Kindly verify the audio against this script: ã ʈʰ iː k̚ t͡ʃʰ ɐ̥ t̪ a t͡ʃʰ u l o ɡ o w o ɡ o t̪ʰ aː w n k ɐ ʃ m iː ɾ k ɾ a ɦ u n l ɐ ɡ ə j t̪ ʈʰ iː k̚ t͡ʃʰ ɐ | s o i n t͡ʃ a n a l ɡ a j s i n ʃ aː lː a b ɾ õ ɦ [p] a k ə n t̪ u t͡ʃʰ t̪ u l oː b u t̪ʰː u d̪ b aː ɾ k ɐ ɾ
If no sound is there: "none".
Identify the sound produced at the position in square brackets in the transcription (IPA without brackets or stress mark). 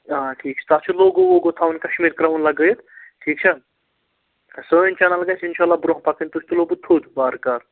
p